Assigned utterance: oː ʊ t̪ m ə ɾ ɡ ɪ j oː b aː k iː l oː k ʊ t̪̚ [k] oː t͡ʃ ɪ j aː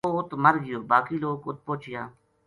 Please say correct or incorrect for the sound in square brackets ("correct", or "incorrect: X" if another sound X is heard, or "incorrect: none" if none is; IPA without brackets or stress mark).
incorrect: p